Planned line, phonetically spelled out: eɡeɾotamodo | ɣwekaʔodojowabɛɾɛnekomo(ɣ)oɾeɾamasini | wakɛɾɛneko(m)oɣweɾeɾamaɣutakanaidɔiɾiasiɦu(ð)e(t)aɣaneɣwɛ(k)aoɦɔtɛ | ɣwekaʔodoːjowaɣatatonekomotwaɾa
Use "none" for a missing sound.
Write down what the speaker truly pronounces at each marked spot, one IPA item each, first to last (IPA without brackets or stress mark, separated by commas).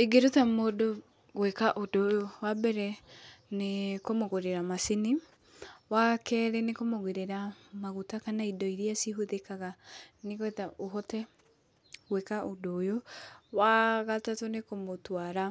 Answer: ɣ, m, ð, k, t